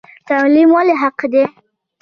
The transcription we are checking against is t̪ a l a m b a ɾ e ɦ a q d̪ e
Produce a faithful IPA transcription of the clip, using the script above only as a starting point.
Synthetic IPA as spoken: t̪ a l i m w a l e ɦ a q d̪ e